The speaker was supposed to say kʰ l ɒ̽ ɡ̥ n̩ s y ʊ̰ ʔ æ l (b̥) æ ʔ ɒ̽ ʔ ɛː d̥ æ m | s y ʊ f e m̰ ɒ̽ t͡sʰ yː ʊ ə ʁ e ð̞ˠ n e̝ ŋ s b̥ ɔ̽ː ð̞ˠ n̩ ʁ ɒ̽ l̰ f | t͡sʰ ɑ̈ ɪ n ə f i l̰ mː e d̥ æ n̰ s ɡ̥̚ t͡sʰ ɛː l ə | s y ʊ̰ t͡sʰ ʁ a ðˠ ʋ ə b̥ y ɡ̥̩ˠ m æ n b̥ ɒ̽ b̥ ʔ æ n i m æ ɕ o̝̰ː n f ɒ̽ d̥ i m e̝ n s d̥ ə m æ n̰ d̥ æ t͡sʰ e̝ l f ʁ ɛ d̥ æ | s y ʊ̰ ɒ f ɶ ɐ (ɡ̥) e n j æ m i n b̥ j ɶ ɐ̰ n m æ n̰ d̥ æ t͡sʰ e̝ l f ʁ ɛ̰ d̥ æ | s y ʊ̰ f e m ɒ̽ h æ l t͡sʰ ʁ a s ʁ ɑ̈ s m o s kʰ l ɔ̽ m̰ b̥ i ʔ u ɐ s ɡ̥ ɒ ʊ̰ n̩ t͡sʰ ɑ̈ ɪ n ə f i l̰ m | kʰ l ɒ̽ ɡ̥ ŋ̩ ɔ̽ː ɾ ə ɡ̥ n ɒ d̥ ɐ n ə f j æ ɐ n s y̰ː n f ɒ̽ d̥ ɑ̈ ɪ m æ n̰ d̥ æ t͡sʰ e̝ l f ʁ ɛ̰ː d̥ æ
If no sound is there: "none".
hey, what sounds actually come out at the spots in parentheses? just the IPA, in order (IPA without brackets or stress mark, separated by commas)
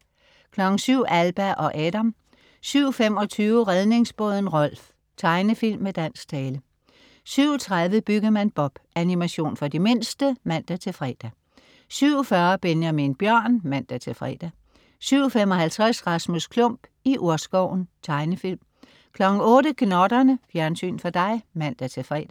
b̥, b̥